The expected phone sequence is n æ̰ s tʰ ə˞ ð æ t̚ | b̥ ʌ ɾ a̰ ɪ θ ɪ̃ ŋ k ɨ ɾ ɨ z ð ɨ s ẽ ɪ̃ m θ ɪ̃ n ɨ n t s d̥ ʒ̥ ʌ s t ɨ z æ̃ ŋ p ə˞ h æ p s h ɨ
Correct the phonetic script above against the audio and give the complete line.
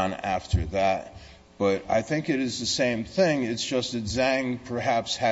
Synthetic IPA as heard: n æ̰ f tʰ ə˞ ð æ t̚ | b̥ ʌ ɾ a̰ ɪ θ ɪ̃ ŋ k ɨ ɾ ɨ z ð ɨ s ẽ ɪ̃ m θ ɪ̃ ŋ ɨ t s d̥ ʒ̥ ʌ s t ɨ z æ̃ ŋ pʰ ə˞ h æ p s h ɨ